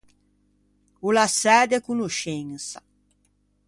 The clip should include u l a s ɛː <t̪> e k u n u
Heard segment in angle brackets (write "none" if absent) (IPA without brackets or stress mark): d̪